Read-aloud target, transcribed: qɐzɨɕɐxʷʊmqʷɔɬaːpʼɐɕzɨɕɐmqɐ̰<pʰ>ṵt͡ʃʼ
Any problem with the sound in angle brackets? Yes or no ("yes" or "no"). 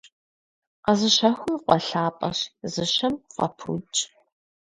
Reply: no